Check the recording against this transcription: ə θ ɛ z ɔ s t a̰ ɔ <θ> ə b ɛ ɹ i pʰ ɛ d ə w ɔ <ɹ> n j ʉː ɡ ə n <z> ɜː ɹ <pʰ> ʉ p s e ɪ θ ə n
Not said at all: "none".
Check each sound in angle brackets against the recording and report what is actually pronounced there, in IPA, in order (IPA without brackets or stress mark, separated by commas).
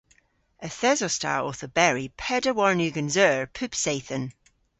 θ, ɹ, z, pʰ